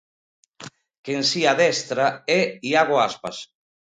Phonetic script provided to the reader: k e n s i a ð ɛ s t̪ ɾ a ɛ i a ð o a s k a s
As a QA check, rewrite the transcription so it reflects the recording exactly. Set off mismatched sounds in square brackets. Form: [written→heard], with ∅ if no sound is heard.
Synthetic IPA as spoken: k e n s i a ð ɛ s t̪ ɾ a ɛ i a [ð→ɣ] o a s [k→p] a s